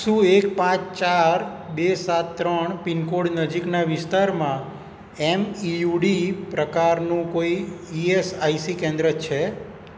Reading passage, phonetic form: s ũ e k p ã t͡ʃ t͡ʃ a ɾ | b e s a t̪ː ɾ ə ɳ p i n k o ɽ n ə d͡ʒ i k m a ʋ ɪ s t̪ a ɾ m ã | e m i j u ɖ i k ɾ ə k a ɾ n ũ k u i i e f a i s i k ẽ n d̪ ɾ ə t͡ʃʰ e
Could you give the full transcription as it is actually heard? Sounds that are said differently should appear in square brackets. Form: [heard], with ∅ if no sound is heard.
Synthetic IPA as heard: s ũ e k p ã t͡ʃ t͡ʃ a ɾ | b e s a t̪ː ɾ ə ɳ p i n k o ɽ n ə d͡ʒ i k [n] a ʋ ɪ s t̪ a ɾ m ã | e m i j u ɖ i [p] ɾ ə k a ɾ n ũ k [o] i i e [s] a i s i k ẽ n d̪ ɾ ə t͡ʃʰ e